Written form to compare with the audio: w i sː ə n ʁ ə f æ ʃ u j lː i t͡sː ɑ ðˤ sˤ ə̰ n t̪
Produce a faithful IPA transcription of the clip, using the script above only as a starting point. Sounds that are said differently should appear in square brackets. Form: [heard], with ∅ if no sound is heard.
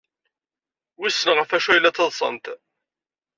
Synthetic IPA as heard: w i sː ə n ʁ ə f æ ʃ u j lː [æ] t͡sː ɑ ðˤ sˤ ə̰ n t̪